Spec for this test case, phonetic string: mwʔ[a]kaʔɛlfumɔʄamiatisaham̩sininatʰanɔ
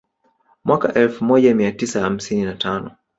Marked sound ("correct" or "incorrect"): correct